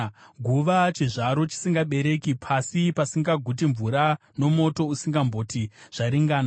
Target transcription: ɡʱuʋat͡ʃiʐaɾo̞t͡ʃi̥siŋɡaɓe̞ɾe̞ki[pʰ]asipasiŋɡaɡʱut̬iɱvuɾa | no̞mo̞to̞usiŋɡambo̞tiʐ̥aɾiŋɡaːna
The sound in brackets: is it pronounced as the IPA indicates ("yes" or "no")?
yes